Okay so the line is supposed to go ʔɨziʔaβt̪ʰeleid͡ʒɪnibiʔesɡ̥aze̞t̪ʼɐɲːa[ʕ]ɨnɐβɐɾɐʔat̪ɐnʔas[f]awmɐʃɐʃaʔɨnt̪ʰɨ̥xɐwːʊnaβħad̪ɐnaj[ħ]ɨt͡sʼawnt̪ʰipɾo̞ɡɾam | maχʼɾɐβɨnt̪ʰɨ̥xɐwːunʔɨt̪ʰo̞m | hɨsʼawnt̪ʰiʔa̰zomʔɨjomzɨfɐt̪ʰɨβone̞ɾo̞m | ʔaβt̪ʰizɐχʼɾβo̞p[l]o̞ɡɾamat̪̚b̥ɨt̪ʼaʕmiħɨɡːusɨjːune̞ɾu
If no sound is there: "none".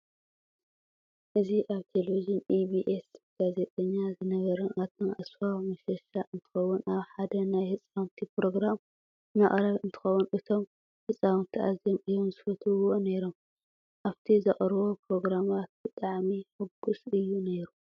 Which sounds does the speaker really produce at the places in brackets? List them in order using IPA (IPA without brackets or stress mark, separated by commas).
z, f, h, ɾ